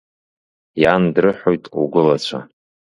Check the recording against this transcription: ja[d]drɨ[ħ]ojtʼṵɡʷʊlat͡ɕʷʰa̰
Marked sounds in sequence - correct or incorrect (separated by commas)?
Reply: incorrect, correct